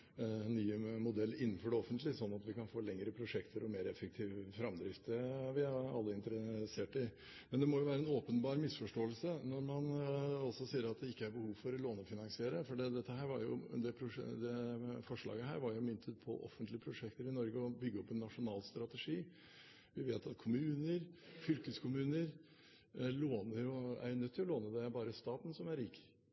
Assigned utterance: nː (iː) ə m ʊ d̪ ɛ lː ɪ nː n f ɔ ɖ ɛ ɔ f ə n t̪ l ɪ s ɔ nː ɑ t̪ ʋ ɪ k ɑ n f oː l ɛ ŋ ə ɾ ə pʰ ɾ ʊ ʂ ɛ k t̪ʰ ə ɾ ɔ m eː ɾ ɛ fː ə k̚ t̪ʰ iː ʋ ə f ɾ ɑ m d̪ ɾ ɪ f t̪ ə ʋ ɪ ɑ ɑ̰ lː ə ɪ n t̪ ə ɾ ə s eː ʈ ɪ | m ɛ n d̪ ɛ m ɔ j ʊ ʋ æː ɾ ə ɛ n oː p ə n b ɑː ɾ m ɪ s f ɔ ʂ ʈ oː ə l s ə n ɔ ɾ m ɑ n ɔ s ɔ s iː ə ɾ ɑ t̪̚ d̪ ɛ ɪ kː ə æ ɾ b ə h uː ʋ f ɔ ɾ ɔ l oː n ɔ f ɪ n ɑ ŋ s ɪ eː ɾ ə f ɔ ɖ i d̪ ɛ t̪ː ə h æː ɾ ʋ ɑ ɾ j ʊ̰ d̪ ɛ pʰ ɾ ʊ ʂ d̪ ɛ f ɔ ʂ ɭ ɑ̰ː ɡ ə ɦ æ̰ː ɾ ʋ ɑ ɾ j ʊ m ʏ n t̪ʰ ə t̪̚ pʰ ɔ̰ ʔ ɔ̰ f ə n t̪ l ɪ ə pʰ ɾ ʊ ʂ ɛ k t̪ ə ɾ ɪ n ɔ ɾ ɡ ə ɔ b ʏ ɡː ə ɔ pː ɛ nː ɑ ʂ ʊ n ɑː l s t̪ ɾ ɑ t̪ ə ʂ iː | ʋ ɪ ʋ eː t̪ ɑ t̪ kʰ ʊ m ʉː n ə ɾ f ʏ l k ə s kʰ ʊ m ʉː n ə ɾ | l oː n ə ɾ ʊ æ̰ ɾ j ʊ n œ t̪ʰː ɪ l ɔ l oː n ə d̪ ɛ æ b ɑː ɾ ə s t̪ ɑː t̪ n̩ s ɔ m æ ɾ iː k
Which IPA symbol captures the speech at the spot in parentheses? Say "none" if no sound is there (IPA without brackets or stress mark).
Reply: yː